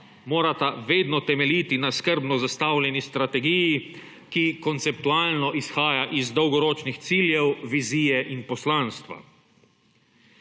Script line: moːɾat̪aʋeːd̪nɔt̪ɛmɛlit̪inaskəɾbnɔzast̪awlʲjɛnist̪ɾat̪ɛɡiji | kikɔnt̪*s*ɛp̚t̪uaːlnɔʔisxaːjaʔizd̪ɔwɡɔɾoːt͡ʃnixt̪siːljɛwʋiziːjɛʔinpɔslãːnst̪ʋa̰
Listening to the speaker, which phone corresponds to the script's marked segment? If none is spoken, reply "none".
s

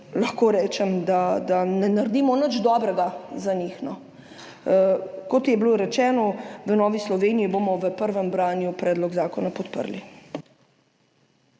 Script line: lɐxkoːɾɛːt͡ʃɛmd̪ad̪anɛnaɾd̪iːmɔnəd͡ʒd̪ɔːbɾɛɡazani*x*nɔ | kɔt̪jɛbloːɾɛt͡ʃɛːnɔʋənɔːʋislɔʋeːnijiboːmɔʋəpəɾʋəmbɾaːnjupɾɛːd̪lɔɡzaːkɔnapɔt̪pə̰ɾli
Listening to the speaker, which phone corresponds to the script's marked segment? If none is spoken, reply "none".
x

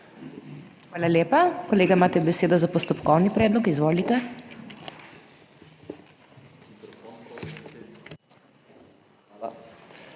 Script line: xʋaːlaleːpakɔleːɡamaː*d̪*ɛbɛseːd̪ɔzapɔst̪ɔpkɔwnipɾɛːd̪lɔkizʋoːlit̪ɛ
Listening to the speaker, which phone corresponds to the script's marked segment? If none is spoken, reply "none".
t̪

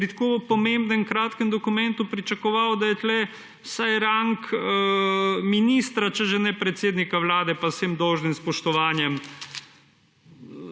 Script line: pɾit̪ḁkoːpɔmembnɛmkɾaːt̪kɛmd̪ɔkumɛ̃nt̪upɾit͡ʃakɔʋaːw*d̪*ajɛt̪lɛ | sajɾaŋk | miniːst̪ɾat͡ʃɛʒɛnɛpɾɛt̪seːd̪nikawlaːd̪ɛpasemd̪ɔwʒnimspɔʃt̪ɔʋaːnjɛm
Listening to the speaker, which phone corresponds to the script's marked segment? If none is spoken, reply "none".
d̪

